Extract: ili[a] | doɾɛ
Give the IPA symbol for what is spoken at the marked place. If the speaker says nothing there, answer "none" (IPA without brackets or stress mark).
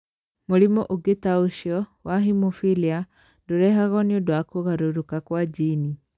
a